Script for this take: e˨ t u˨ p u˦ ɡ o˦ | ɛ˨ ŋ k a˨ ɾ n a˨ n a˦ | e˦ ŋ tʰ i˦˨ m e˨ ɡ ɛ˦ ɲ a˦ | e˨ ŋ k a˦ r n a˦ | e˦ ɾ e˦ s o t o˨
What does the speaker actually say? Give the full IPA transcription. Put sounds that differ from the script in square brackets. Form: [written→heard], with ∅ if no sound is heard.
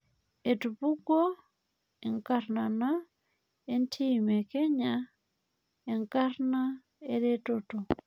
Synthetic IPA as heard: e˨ t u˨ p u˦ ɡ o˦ | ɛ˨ ŋ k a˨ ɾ n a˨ n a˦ | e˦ [ŋ→n] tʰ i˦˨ m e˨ [ɡ→k] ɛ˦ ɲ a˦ | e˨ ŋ k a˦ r n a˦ | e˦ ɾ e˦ [s→t] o t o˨